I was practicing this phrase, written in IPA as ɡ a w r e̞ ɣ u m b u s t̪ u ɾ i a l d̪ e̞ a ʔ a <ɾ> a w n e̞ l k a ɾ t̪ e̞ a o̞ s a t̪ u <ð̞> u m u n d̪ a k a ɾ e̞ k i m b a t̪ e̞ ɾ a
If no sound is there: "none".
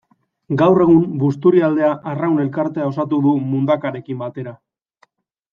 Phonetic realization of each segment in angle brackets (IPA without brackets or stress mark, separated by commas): r, ð̞